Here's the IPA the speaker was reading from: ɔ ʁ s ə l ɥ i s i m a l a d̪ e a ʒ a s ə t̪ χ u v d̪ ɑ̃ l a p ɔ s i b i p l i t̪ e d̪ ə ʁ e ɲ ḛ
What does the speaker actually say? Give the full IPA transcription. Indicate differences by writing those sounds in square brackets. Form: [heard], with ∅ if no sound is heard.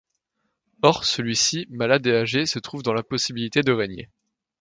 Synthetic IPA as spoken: ɔ ʁ s ə l ɥ i s i m a l a d̪ e a ʒ [e] s ə t̪ χ u v d̪ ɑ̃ l a p ɔ s i b i [∅] l i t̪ e d̪ ə ʁ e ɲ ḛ

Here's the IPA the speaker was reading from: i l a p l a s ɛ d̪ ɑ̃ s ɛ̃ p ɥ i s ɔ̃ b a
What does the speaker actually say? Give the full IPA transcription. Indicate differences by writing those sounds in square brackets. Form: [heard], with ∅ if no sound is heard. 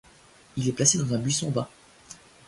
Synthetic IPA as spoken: i l [ɛ] p l a s [e] d̪ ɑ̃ [z] ɛ̃ [b] ɥ i s ɔ̃ b a

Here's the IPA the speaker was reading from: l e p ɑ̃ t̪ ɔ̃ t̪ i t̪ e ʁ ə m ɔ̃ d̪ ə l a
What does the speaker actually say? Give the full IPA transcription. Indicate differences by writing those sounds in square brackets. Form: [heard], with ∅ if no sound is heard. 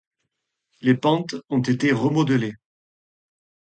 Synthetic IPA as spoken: l e p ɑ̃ t̪ ɔ̃ t̪ [e] t̪ e ʁ ə m [ɔ] d̪ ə l [e]

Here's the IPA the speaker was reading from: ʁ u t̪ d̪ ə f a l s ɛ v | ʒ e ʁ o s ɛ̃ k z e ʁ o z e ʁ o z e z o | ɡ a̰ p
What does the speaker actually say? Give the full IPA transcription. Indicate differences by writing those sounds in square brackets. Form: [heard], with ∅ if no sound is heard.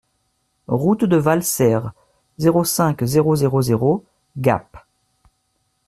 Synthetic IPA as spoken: ʁ u t̪ d̪ ə [v] a l s ɛ [ʁ] | [z] e ʁ o s ɛ̃ k z e ʁ o z e ʁ o z e [ʁ] o | ɡ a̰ p

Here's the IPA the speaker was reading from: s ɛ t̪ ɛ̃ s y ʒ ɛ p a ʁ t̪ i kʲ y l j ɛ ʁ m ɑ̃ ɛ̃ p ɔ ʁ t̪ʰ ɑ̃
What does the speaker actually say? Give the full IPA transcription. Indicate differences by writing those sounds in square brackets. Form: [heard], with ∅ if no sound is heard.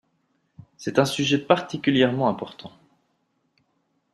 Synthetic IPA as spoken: s ɛ t̪ ɛ̃ s y ʒ ɛ p a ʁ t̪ i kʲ y l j ɛ ʁ m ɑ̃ ɛ̃ p ɔ ʁ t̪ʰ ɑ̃

